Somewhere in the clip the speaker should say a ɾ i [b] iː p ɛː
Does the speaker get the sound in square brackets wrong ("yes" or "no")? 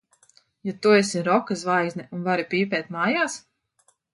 yes